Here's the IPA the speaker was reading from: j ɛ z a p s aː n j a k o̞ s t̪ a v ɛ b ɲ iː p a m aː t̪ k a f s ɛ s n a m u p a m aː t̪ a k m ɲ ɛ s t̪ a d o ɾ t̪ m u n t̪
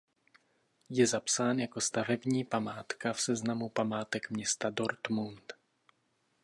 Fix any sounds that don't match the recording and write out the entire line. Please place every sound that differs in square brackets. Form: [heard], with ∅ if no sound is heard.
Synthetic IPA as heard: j ɛ z a p s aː n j a k o̞ s t̪ a v ɛ b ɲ iː p a m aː t̪ k a f s ɛ [z] n a m u p a m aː t̪ [ɛ] k m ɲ ɛ s t̪ a d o ɾ t̪ m u n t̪